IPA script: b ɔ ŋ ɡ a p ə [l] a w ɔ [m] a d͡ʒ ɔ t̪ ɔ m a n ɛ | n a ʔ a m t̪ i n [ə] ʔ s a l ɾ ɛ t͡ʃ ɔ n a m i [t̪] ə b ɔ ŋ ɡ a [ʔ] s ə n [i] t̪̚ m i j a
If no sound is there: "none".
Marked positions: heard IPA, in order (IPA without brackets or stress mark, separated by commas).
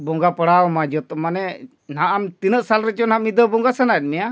ɽ, m, ə, d̪, none, a